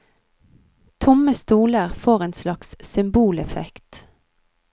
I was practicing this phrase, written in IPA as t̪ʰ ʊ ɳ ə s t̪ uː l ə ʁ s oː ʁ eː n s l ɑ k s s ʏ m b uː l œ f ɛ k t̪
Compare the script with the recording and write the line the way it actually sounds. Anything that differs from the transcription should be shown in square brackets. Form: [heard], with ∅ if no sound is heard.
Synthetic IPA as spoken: t̪ʰ ʊ [m] ə s t̪ uː l ə ʁ [f] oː ʁ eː n s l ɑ k s s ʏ m b uː l [ɛ] f ɛ k t̪